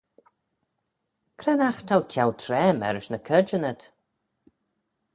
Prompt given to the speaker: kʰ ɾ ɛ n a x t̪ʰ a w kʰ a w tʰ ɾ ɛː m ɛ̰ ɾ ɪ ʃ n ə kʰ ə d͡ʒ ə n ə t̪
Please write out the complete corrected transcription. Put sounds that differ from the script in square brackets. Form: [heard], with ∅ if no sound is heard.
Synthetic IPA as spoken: kʰ ɾ ɛ n a x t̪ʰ a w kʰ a w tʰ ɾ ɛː m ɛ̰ ɾ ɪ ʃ n ə kʰ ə d͡ʒ ə n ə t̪